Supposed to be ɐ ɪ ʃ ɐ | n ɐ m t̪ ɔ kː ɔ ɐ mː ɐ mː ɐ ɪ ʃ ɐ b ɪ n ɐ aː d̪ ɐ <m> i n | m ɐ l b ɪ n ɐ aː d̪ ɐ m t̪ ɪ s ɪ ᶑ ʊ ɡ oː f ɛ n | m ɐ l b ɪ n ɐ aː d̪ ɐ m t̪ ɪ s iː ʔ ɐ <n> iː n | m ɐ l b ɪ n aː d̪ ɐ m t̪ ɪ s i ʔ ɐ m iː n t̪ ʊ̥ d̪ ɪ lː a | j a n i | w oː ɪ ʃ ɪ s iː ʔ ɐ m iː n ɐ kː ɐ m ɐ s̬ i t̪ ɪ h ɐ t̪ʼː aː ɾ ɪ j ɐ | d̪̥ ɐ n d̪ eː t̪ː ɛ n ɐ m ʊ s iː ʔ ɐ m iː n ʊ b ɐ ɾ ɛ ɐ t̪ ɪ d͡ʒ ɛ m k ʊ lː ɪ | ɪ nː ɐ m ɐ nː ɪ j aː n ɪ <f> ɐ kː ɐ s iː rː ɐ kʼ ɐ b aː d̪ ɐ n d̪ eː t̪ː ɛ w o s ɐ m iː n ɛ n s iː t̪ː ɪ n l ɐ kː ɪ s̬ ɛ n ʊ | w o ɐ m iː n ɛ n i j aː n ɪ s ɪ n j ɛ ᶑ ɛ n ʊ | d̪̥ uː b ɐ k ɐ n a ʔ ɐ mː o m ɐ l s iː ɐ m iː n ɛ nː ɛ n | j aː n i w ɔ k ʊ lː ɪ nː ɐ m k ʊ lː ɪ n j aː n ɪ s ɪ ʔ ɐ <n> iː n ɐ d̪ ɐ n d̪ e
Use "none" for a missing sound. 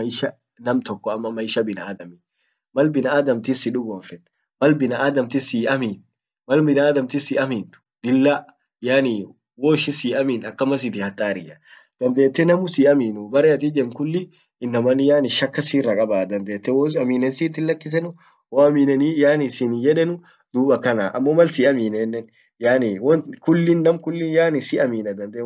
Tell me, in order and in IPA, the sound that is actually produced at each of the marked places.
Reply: m, m, ʃ, m

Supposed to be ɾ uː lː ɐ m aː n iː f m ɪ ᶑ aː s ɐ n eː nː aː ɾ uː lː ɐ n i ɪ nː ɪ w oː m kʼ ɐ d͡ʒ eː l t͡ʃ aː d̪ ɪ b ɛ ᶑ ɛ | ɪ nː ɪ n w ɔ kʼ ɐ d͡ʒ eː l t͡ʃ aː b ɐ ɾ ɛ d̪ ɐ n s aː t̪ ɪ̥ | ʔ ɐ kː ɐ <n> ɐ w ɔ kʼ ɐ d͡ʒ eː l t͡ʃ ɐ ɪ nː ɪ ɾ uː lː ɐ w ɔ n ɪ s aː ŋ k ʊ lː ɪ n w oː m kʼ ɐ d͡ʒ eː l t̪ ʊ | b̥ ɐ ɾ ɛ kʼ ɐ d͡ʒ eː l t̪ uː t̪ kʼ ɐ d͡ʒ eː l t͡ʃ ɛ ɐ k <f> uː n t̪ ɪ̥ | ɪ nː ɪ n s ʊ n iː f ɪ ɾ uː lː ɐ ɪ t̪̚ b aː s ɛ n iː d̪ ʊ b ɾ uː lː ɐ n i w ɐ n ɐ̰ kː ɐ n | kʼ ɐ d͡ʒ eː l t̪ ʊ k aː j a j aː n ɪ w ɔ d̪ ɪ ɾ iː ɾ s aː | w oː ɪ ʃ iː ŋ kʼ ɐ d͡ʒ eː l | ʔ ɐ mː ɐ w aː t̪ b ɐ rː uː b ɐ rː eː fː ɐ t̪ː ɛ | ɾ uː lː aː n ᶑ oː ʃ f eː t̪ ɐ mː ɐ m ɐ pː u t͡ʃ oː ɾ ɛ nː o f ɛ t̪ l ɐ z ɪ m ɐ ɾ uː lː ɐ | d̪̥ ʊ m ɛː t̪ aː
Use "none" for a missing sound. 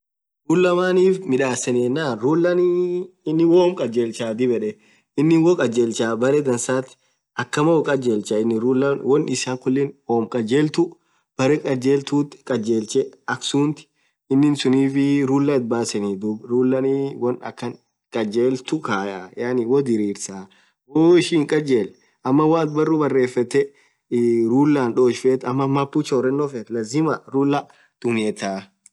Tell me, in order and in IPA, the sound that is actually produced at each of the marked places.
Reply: m, s

